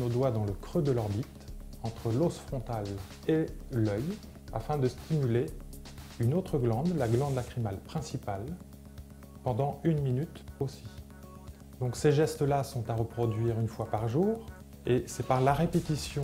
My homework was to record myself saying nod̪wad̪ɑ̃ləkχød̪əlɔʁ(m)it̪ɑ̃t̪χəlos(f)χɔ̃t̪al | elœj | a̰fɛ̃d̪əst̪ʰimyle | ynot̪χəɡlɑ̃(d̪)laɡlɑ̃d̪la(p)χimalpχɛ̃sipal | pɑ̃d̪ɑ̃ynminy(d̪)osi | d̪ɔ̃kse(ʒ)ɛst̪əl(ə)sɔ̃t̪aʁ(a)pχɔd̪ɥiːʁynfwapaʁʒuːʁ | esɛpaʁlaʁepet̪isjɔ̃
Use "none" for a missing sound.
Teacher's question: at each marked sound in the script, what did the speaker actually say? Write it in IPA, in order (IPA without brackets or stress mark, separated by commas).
b, f, d̪, k, t̪, ʒ, a, ə